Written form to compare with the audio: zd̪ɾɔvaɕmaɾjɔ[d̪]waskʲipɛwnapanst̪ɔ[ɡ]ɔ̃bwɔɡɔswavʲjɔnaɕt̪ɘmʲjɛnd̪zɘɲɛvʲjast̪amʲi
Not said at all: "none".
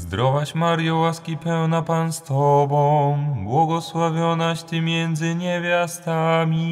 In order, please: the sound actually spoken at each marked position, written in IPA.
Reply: none, b

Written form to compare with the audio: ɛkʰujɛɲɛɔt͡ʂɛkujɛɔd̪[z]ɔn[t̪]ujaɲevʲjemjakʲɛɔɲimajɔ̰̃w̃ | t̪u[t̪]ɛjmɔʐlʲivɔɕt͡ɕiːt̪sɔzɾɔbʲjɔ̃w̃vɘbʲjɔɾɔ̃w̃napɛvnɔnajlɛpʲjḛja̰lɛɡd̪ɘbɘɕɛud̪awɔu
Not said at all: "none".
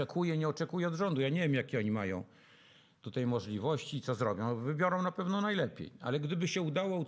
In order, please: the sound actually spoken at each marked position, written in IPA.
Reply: ʐ, d̪, t̪

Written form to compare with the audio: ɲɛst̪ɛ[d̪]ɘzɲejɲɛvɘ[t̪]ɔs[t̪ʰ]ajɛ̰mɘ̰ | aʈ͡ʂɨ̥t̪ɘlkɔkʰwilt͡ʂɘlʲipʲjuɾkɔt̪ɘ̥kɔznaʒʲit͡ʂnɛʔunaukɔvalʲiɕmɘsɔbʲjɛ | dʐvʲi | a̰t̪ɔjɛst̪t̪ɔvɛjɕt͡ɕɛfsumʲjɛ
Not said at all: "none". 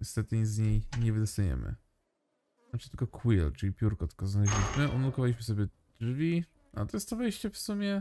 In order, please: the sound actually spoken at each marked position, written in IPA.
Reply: t̪, d̪, t̪

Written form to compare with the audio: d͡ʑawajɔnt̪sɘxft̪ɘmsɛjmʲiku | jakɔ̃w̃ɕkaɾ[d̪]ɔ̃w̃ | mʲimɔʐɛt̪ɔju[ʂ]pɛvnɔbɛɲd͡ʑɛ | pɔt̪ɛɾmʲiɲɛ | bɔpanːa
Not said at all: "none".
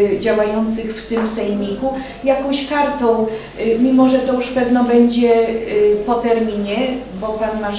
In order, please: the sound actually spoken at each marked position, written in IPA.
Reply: t̪, ʂ

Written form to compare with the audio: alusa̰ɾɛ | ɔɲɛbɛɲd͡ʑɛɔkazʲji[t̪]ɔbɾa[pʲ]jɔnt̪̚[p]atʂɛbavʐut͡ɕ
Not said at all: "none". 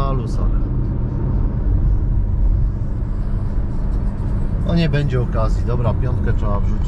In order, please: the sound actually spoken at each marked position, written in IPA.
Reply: d̪, pʲ, k

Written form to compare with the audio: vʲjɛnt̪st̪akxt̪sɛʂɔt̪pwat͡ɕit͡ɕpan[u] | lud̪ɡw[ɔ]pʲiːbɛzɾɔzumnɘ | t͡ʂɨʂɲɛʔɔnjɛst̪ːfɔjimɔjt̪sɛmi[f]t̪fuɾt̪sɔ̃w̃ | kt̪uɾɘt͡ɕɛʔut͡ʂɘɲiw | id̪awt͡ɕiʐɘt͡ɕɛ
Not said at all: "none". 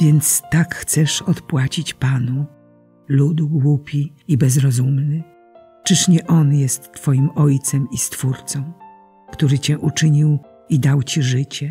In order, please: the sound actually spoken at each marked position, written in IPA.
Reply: u, u, s

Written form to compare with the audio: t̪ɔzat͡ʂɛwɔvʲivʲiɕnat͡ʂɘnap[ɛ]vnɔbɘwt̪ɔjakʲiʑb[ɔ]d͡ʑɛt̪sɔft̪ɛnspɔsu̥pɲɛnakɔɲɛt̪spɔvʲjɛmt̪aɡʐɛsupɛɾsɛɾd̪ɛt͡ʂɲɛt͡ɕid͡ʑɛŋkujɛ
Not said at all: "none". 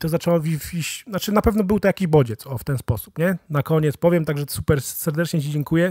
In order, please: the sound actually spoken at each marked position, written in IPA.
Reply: ɛ, ɔ

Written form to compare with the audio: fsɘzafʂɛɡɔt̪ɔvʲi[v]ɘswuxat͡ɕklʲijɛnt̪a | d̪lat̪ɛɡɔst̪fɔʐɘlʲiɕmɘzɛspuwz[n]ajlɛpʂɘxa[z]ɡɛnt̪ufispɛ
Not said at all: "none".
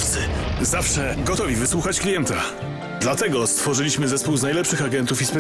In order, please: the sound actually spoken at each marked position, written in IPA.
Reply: v, n, none

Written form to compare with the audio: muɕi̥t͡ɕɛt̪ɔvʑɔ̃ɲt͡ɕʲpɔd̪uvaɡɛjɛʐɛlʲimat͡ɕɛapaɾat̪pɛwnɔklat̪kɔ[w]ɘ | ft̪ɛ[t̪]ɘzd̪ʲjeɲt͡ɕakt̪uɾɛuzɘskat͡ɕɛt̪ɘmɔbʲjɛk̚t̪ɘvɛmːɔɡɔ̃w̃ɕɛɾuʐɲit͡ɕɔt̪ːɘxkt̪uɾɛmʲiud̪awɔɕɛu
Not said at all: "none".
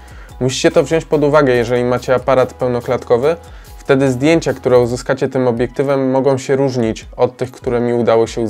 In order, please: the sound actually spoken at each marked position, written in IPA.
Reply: v, d̪

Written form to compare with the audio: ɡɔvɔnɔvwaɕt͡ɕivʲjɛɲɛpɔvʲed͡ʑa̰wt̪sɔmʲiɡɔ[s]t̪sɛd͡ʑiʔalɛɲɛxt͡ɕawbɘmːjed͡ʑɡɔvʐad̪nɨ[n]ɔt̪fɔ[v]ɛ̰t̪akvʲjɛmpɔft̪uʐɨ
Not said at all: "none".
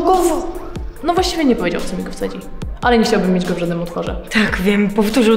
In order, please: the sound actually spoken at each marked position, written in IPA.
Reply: f, m, ʐ

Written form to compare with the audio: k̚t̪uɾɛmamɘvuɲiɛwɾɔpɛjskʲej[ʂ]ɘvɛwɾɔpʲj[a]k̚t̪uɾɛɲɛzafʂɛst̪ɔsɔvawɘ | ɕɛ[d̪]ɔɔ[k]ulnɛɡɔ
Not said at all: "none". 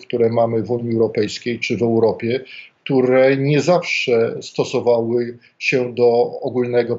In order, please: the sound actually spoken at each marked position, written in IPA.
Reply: t͡ʂ, ɛ, d̪, ɡ

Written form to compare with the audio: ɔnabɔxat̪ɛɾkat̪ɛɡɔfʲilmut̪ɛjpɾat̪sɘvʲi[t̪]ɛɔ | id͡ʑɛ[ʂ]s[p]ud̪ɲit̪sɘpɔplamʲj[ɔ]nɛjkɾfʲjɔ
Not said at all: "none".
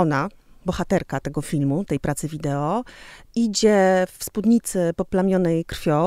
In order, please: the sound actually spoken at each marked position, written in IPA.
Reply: d̪, f, p, ɔ

